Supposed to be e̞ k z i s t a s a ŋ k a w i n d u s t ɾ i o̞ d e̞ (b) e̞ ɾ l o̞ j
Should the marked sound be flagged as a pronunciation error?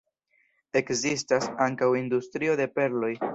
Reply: yes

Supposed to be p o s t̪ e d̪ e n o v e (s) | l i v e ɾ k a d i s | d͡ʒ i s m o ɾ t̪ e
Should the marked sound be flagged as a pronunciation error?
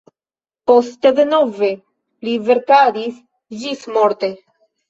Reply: yes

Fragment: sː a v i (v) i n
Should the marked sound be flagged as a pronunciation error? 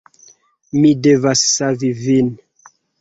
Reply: no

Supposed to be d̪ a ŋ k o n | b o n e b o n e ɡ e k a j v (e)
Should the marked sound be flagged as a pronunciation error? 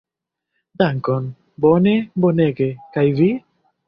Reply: yes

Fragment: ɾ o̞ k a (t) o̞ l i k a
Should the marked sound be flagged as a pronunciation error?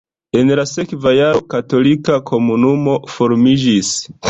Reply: no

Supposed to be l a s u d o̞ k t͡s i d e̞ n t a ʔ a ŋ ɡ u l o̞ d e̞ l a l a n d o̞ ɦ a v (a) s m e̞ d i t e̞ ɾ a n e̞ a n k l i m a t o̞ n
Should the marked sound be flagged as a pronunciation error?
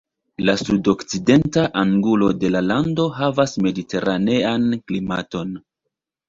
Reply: no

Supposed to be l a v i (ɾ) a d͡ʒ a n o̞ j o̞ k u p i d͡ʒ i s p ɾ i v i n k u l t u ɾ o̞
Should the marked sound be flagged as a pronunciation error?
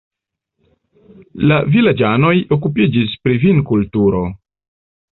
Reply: yes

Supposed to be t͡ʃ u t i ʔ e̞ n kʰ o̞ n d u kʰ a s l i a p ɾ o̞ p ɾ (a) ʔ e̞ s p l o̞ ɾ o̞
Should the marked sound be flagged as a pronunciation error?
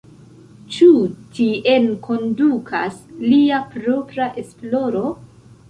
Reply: no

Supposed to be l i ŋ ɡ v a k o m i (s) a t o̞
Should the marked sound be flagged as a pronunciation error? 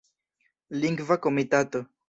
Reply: yes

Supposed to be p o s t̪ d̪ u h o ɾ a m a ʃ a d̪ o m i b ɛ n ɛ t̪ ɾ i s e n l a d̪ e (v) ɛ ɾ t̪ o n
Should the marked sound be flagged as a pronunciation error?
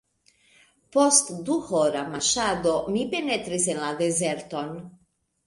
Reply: yes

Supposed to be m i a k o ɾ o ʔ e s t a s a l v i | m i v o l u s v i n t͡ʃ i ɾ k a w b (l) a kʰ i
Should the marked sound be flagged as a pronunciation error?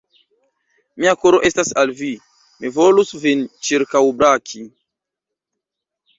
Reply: yes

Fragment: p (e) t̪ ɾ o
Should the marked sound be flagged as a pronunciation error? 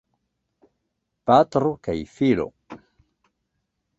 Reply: yes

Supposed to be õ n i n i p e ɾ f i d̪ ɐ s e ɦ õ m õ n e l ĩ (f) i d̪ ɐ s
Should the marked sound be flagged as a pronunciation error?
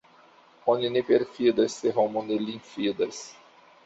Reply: no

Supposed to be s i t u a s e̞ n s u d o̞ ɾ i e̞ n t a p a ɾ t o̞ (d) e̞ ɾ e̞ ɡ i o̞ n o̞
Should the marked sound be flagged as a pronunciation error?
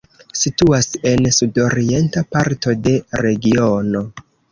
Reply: no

